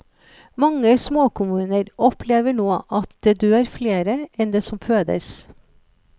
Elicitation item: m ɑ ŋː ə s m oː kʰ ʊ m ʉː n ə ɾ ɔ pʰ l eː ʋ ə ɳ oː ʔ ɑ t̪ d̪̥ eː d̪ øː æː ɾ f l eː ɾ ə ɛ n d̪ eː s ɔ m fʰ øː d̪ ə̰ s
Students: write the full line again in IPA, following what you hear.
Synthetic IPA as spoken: m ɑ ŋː ə s m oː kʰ ʊ m ʉː n ə ɾ ɔ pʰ l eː ʋ ə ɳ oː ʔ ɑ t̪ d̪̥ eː d̪ øː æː ɾ f l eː ɾ ə ɛ n d̪ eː s ɔ m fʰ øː d̪ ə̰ s